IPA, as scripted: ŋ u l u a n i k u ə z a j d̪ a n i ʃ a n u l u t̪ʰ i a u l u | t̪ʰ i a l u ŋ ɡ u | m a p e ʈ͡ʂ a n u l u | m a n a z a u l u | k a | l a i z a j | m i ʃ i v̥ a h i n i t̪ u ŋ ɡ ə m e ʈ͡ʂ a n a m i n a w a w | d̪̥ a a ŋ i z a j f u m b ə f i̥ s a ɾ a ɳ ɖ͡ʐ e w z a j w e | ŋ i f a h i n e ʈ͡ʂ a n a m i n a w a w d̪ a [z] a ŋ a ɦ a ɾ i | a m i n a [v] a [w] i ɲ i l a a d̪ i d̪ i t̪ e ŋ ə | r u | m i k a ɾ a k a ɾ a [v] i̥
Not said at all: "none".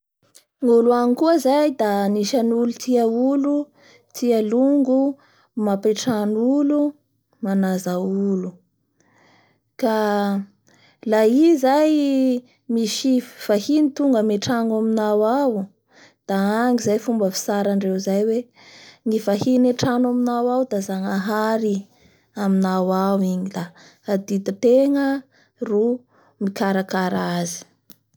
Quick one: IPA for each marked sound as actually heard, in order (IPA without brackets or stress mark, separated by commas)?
z, w, w, z